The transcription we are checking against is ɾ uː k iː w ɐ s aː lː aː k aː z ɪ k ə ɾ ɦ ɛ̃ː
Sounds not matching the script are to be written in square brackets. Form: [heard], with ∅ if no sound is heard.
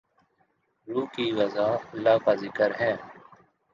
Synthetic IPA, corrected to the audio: ɾ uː k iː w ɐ [z] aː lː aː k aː z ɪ k ə ɾ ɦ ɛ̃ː

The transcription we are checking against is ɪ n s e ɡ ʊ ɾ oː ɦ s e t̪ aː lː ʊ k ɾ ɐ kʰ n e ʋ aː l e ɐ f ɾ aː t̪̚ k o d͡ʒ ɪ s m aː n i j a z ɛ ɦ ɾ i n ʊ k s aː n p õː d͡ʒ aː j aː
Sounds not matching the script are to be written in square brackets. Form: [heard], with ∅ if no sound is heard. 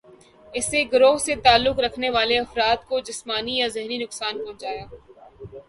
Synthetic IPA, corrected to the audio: ɪ [∅] s e ɡ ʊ ɾ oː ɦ s e t̪ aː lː ʊ k ɾ ɐ kʰ n e ʋ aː l e ɐ f ɾ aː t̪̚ k o d͡ʒ ɪ s m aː n i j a z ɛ ɦ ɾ i n ʊ k s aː n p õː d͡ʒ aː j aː

